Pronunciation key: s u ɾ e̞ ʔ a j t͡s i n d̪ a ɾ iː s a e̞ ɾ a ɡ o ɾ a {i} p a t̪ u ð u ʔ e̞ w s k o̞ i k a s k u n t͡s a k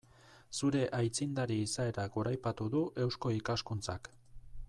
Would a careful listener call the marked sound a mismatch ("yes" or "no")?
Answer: yes